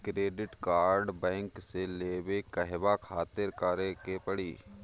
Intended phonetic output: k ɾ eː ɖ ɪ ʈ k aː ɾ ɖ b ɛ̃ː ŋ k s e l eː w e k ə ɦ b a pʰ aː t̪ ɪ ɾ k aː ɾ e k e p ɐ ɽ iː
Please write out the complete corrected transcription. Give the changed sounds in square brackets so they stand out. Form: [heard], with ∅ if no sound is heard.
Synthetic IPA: k ɾ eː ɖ ɪ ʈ k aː ɾ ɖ b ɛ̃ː ŋ k s e l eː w e k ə ɦ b a [kʰ] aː t̪ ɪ ɾ k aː ɾ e k e p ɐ ɽ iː